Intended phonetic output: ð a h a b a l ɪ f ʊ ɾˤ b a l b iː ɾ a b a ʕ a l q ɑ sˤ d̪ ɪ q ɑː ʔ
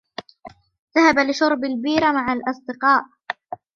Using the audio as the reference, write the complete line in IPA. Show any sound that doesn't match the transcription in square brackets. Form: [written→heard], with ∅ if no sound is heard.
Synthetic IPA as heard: ð a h a b a l ɪ [f→ʃ] ʊ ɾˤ b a l b iː ɾ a [b→m] a ʕ a l [q→ʔ] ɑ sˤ d̪ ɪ q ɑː ʔ

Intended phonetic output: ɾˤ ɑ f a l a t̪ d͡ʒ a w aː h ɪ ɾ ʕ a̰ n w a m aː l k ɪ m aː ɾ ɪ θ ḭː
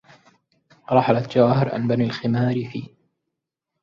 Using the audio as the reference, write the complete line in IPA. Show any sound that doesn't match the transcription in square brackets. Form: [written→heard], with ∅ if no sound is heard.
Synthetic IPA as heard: ɾˤ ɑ [f→ħ] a l a t̪ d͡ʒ a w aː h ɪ ɾ ʕ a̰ n [w→b] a [m→n] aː l [k→x] ɪ m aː ɾ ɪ [θ→f] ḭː

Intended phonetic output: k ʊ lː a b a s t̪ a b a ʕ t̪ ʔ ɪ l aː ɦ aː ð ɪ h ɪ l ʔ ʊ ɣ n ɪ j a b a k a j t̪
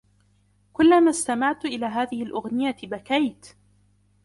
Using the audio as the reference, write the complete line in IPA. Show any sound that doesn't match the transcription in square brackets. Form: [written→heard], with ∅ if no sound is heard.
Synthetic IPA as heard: k ʊ lː a [b→m] a s t̪ a [b→m] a ʕ t̪ ʔ ɪ l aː ɦ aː ð ɪ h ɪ l ʔ ʊ ɣ n ɪ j a b a k a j t̪

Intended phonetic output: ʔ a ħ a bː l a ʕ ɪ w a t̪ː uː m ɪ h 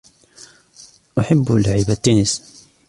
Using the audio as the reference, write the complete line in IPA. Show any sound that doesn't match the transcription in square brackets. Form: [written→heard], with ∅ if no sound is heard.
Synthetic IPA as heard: ʔ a ħ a bː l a ʕ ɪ [w→b] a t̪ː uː [m→n] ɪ [h→s]

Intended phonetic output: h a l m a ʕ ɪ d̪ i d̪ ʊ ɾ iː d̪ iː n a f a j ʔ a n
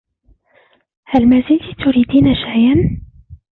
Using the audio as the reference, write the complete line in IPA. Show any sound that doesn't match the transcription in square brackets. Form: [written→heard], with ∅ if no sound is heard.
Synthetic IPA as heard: h a l m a [ʕ→z] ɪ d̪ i [d̪→t̪] ʊ ɾ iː d̪ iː n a [f→ʃ] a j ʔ a n

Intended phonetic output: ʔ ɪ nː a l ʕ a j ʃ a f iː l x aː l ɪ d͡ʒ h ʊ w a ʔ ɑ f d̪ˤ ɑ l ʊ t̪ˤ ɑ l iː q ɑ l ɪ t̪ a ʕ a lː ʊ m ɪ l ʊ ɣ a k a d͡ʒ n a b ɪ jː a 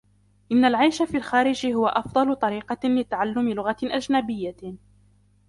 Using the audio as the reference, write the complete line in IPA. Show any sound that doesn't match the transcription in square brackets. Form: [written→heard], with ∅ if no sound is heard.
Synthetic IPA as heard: ʔ ɪ nː a l ʕ a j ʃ a f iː l x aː [l→ɾ] ɪ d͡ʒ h ʊ w a ʔ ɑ f d̪ˤ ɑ l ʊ t̪ˤ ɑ [l→ɾ] iː q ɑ l ɪ t̪ a ʕ a lː ʊ m ɪ l ʊ ɣ a [k→ʔ] a d͡ʒ n a b ɪ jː a

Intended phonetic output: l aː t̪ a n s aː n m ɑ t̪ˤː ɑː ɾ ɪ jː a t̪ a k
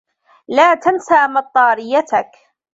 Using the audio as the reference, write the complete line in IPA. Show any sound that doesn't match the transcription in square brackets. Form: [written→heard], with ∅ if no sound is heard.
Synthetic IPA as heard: l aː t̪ a n s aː [n→∅] m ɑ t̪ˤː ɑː ɾ ɪ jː a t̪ a k

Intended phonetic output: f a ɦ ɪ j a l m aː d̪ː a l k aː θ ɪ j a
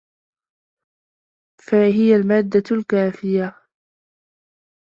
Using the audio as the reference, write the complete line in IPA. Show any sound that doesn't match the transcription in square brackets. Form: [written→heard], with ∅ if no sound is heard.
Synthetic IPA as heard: f a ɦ ɪ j a l m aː d̪ː a l k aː [θ→f] ɪ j a

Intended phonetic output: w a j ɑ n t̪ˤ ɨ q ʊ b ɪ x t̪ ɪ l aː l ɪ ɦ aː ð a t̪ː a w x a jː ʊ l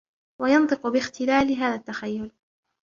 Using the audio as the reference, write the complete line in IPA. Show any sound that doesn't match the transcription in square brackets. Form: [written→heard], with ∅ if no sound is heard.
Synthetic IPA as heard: w a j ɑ n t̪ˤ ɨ q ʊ b ɪ x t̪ ɪ l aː l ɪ ɦ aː ð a t̪ː a [w→∅] x a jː ʊ l

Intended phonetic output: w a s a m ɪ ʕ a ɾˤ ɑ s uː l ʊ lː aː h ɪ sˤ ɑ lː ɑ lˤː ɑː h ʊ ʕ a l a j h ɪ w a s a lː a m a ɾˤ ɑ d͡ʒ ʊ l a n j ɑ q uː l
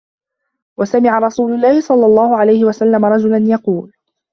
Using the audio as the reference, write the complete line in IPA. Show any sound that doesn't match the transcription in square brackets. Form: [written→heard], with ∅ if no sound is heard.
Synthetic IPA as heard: w a s a m ɪ ʕ a ɾˤ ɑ s uː l ʊ lː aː h ɪ sˤ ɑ lː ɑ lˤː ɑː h ʊ ʕ a l a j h ɪ w a s a lː a m a ɾˤ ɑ d͡ʒ ʊ l a n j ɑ q uː l

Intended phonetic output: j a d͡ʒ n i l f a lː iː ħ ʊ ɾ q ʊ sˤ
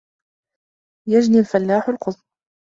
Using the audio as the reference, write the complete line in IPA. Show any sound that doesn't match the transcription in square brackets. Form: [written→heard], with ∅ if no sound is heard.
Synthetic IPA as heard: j a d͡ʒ n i l f a lː [iː→aː] ħ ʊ [ɾ→l] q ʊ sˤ

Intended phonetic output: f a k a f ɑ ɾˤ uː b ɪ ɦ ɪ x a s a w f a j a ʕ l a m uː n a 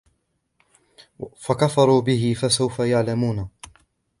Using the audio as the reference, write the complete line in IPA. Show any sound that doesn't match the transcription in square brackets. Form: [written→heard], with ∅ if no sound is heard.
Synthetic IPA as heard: f a k a f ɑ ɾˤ uː b ɪ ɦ ɪ [x→f] a s a w f a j a ʕ l a m uː n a

